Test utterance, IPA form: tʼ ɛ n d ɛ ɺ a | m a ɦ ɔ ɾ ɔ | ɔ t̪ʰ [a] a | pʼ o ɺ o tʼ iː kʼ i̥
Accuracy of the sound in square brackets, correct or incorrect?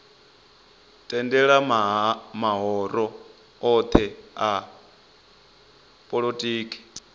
incorrect